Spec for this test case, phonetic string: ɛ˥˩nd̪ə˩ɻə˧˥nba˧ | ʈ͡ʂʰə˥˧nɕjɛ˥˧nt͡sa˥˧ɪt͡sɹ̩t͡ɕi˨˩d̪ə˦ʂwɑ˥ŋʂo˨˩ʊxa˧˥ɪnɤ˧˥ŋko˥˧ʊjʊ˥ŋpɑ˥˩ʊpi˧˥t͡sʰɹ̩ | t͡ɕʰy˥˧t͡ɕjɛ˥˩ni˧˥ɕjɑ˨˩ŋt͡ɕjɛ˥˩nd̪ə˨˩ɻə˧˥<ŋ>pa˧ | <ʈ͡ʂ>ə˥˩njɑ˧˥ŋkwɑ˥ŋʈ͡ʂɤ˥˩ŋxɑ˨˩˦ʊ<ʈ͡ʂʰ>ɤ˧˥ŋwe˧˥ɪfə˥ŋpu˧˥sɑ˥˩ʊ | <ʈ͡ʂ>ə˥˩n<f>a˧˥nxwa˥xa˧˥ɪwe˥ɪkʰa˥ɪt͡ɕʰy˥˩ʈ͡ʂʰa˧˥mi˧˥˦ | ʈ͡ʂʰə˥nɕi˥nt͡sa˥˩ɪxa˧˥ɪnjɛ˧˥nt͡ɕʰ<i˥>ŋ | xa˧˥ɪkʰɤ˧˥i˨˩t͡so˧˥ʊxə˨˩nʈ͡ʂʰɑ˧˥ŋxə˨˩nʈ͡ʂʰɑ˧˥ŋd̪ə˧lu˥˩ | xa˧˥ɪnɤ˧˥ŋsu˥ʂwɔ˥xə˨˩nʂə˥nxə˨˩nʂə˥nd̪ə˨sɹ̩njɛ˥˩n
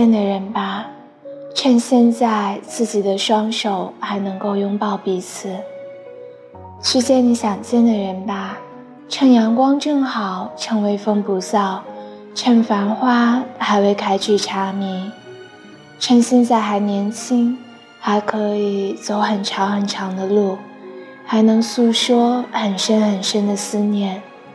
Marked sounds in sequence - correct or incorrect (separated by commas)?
incorrect, incorrect, correct, incorrect, correct, correct